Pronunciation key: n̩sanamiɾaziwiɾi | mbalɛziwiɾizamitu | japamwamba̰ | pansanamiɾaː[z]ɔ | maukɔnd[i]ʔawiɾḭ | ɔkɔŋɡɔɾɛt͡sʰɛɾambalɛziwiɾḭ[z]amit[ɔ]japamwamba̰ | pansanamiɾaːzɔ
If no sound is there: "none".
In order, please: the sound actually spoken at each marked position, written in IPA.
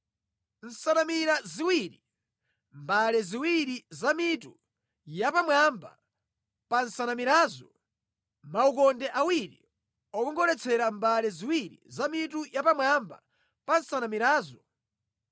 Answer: z, ɛ, z, u

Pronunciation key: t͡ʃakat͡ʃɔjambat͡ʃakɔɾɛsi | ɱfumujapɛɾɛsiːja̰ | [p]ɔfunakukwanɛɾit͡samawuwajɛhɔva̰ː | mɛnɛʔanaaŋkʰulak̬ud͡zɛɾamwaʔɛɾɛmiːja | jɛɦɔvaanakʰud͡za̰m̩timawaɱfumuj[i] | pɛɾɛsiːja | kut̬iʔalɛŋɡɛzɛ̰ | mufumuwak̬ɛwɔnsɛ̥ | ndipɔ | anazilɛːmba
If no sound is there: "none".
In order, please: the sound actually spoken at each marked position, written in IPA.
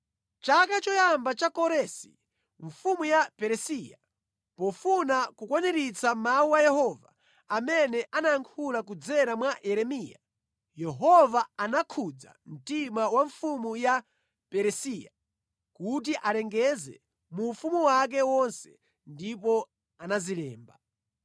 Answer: p, a

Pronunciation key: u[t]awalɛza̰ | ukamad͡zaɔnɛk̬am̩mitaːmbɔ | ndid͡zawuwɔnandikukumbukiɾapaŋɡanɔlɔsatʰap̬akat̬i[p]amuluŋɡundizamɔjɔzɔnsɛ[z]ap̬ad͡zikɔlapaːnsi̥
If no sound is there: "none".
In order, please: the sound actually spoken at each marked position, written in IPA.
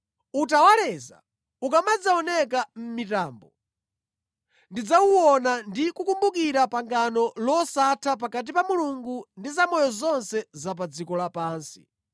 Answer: t, p, z

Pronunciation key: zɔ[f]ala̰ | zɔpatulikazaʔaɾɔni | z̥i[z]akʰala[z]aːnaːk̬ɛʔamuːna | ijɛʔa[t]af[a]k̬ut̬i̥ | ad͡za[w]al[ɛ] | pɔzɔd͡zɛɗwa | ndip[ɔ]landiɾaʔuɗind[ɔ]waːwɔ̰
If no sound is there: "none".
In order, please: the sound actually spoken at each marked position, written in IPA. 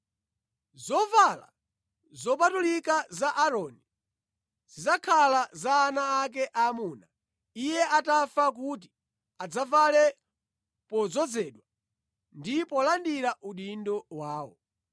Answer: v, z, z, t, a, v, ɛ, ɔ, ɔ

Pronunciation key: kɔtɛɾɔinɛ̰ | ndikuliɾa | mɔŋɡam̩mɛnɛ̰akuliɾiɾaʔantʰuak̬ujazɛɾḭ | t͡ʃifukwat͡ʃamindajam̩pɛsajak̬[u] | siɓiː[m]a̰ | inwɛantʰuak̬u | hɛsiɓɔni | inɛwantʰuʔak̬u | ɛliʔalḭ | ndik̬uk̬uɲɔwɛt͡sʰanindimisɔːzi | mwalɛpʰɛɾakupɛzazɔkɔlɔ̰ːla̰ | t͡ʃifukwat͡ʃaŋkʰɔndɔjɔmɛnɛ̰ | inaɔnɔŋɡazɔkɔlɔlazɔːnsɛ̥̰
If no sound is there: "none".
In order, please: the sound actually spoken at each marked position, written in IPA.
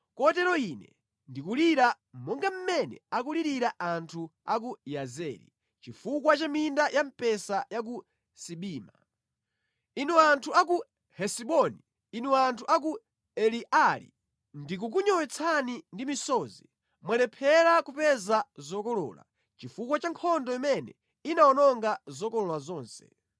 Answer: u, m

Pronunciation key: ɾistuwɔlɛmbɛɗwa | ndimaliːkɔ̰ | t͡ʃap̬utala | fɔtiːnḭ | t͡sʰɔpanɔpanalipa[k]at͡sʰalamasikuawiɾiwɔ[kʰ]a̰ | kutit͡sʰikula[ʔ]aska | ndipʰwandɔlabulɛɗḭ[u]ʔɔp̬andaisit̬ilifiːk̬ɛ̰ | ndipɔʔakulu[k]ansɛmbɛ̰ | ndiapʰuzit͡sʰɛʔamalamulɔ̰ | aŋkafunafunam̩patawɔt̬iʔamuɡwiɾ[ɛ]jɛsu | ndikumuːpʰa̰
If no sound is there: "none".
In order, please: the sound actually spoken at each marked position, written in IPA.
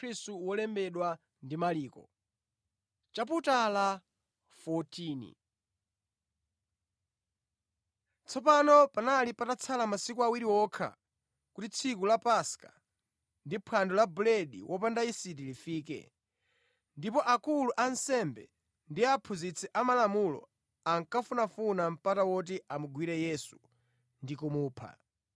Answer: t, kʰ, p, w, ʔ, ɛ

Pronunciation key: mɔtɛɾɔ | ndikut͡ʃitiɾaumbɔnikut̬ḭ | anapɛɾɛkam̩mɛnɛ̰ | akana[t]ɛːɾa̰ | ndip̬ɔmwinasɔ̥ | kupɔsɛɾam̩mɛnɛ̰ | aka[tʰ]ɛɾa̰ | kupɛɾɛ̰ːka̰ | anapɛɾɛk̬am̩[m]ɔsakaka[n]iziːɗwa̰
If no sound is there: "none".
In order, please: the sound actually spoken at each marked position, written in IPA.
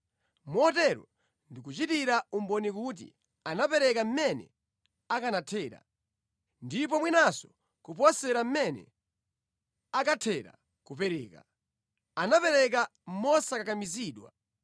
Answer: tʰ, tʰ, m, m

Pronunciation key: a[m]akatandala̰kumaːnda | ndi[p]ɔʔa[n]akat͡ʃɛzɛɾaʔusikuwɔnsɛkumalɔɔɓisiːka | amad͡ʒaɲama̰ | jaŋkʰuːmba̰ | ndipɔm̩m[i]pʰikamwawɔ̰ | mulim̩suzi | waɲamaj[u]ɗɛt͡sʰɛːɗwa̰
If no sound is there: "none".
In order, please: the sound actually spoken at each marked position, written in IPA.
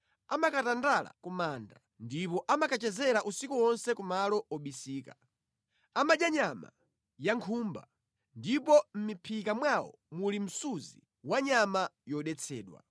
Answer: m, p, m, i, ɔ

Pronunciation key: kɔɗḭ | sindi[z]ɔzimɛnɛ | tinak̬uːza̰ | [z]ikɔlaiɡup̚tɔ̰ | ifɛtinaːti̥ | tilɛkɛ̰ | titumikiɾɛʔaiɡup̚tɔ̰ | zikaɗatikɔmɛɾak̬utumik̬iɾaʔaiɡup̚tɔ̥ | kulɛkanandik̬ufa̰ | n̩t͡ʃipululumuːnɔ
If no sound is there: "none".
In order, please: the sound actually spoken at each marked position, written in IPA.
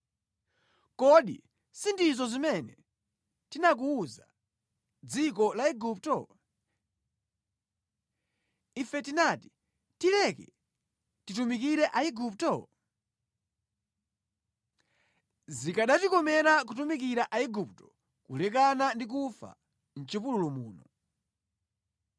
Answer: z, d͡z

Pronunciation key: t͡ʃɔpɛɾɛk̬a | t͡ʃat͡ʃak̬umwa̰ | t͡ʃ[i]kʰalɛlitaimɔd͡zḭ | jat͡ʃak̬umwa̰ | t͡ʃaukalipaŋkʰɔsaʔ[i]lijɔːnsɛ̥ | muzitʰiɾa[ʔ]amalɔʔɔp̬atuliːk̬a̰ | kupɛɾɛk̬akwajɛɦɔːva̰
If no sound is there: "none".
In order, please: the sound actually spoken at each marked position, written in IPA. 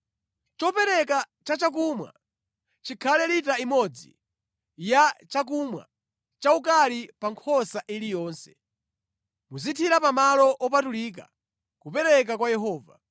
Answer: i, i, p

